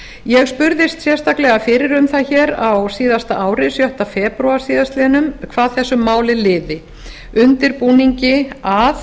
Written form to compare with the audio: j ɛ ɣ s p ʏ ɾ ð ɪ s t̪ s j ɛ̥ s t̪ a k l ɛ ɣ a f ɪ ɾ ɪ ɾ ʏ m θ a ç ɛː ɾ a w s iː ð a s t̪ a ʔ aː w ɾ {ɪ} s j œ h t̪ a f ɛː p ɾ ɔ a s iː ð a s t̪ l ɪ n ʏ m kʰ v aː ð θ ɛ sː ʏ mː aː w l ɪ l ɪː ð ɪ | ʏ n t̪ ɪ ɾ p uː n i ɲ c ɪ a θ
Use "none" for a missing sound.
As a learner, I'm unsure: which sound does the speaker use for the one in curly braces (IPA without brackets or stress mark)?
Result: ɪ